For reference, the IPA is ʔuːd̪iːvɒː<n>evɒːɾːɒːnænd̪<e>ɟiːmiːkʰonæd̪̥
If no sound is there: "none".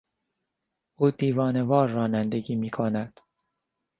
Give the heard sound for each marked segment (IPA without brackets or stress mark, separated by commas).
n, e